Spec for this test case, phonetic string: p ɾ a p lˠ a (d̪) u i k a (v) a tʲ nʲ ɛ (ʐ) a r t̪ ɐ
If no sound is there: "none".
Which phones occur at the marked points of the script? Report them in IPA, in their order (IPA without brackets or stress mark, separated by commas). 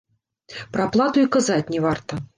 t̪, z, v